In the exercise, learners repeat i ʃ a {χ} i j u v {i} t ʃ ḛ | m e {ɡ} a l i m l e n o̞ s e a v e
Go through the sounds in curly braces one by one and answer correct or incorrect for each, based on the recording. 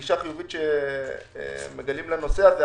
correct, correct, correct

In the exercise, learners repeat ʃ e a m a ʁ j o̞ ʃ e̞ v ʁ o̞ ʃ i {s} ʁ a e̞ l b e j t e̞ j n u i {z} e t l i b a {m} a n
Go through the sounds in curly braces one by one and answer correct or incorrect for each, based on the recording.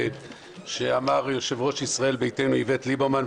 correct, incorrect: v, correct

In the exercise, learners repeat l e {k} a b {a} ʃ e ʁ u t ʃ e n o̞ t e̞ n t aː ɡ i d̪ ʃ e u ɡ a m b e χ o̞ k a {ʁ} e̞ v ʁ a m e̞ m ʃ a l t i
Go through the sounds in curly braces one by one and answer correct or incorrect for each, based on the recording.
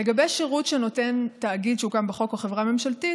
incorrect: ɡ, incorrect: e, incorrect: χ

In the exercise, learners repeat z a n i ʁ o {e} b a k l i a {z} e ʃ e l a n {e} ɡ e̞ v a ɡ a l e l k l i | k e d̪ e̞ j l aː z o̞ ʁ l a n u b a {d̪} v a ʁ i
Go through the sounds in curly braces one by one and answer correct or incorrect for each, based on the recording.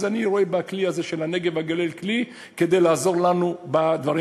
correct, correct, correct, correct

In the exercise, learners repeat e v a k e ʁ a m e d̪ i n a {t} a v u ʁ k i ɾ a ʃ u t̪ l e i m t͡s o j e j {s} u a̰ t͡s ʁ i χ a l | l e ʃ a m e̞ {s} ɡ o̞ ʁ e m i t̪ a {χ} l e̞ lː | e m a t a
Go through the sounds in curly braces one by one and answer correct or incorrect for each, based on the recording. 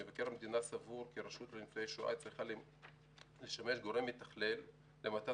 incorrect: s, incorrect: ʃ, incorrect: ʃ, correct

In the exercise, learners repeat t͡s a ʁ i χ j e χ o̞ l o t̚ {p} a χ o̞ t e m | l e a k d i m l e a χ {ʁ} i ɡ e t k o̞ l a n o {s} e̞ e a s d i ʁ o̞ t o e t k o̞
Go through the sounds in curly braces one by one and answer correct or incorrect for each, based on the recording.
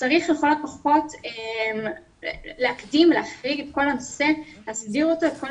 correct, correct, correct

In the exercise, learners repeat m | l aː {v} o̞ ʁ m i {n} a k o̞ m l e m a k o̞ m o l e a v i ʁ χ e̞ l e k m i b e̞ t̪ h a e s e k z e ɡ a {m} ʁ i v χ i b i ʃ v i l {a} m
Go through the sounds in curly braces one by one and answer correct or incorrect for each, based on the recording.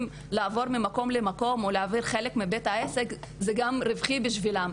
correct, incorrect: m, correct, correct

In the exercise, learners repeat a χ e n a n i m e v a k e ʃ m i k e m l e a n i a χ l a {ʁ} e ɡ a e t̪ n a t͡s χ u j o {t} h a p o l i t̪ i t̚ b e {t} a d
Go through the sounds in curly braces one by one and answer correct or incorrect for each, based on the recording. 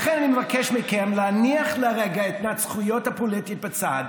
correct, correct, incorrect: t͡s

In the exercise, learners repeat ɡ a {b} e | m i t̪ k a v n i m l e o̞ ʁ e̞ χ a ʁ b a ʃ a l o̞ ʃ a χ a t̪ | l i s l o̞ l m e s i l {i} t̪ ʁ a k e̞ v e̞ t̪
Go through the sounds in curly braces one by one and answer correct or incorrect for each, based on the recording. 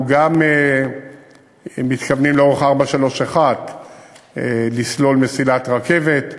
incorrect: m, incorrect: a

